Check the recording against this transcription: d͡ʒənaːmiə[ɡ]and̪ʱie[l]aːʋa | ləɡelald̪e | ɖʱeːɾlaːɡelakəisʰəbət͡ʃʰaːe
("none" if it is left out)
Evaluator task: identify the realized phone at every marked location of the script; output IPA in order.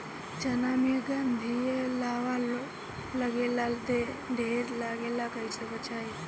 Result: ɡ, l

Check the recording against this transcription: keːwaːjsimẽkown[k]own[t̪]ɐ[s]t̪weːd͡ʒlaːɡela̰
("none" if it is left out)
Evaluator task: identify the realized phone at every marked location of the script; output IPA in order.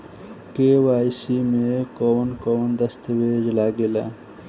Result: k, d̪, s

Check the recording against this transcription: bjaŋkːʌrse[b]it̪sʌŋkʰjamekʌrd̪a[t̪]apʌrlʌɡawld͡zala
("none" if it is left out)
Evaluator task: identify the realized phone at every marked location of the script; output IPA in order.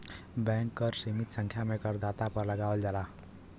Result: m, t̪

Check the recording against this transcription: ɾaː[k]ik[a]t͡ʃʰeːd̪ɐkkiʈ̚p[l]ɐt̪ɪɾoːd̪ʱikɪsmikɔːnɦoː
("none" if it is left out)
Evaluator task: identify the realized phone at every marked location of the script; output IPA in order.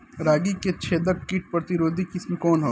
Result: ɡ, e, ɾ

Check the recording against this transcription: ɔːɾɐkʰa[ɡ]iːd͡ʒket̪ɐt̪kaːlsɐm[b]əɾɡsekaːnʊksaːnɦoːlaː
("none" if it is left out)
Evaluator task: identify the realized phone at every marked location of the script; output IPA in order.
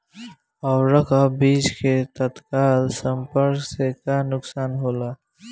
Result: b, p

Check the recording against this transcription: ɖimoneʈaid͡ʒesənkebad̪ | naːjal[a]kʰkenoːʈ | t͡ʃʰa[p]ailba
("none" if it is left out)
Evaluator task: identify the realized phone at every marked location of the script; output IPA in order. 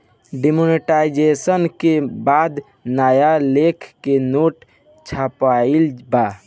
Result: e, p

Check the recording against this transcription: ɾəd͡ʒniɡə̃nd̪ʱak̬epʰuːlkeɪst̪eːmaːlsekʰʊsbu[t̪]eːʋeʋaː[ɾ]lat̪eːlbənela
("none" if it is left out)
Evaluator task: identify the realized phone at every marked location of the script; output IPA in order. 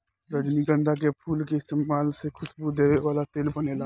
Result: d̪, none

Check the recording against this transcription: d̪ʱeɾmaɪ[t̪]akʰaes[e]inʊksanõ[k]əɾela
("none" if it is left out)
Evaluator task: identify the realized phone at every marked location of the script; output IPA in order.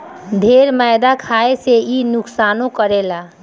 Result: d̪, e, k

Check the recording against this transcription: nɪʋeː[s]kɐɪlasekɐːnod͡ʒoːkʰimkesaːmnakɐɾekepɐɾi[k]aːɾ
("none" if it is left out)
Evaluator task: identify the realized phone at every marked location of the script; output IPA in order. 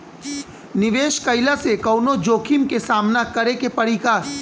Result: ʃ, k

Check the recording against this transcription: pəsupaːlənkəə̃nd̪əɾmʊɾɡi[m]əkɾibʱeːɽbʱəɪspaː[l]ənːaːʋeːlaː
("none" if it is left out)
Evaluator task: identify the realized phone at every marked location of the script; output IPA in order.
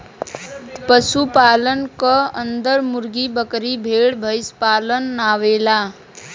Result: b, l

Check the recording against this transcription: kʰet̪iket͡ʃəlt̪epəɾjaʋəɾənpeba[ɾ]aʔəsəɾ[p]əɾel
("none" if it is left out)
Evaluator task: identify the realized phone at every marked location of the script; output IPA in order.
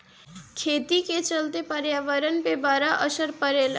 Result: ɾ, p

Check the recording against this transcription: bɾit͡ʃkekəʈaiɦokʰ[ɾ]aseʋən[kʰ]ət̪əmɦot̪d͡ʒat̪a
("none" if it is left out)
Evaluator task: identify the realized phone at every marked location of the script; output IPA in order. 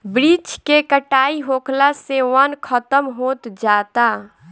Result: l, kʰ

